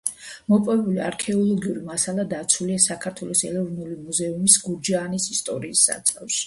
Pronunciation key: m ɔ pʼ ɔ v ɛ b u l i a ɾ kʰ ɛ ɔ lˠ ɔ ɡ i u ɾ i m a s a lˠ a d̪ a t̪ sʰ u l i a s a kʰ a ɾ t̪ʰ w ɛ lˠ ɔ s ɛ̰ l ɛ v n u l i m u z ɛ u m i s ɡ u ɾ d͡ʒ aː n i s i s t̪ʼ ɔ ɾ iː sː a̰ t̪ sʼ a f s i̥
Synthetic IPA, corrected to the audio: m ɔ pʼ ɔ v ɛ b u l i a ɾ kʰ ɛ ɔ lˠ ɔ ɡ i u ɾ i m a s a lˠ a d̪ a t̪ sʰ u l i a s a kʰ a ɾ t̪ʰ w ɛ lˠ ɔ s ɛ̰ l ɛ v n u l i m u z ɛ u m i s ɡ u ɾ d͡ʒ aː n i s i s t̪ʼ ɔ ɾ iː sː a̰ t̪ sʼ a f ʃ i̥

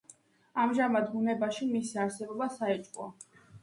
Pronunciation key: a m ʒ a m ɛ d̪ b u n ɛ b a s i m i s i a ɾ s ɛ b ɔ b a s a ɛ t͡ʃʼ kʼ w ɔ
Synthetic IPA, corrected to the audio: a m ʒ a m a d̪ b u n ɛ b a ʃ i m i s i a ɾ s ɛ b ɔ b a s a ɛ t͡ʃʼ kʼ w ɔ

